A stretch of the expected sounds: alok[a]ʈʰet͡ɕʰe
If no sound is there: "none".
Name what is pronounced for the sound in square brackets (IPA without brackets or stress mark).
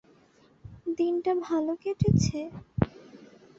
e